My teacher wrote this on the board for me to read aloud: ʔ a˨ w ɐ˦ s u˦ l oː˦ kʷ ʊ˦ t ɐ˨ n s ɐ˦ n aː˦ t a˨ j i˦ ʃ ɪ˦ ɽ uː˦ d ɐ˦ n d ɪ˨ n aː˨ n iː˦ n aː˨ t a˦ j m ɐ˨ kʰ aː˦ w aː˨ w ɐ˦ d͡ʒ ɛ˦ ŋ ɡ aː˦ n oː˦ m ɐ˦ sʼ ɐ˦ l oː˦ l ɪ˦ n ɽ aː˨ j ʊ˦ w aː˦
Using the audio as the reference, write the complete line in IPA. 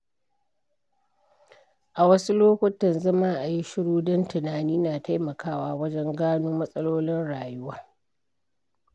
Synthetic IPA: ʔ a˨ w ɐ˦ s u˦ l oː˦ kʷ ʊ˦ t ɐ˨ n z ɐ˦ m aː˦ ʔ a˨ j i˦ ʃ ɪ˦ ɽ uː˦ d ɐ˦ n t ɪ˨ n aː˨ n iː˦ n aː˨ t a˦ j m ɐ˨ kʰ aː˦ w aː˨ w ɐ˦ d͡ʒ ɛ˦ ŋ ɡ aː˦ n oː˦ m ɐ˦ sʼ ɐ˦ l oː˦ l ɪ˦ n ɽ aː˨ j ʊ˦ w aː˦